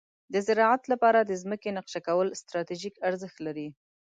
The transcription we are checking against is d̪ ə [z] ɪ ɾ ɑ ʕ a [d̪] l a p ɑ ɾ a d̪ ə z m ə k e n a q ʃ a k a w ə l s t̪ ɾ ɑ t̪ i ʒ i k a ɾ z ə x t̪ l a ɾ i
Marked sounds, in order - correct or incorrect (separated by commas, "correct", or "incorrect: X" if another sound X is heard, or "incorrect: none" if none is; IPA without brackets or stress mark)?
correct, incorrect: t̪